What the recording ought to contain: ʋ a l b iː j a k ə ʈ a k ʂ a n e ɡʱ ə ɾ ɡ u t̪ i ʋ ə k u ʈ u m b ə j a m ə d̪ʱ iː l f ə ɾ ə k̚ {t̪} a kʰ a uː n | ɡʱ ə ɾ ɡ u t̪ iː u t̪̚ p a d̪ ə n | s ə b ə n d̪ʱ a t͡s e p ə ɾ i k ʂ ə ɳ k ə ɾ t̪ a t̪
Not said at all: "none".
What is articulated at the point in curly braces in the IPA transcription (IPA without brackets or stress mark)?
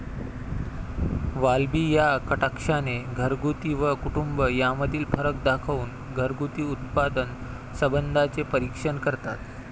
d̪